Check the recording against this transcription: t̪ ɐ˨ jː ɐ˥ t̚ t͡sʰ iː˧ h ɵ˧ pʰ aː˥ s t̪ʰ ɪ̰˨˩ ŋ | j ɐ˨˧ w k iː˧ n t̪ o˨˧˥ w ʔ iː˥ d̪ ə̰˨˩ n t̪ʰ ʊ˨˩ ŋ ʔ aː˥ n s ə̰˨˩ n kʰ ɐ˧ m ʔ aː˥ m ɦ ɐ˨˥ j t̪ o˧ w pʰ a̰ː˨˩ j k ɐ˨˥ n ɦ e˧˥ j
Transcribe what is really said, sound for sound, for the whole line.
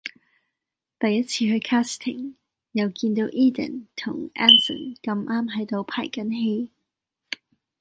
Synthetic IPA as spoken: t̪ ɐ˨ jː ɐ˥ t̚ t͡sʰ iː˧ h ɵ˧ kʰ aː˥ s t̪ʰ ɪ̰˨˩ ŋ | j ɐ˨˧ w k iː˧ n t̪ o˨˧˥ w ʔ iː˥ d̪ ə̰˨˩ n t̪ʰ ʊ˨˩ ŋ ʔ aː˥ n s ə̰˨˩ n k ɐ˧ m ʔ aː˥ m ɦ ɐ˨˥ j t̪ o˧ w pʰ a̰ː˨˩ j k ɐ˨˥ n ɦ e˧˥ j